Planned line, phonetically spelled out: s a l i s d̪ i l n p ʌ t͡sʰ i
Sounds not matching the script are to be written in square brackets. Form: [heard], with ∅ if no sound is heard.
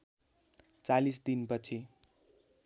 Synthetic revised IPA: [t͡s] a l i s d̪ i [∅] n p ʌ t͡sʰ i